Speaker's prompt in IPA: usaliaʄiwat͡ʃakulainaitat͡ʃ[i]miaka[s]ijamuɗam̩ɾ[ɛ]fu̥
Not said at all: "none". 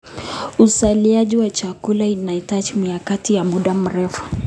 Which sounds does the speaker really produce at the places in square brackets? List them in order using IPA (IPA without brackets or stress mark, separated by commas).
i, t, ɛ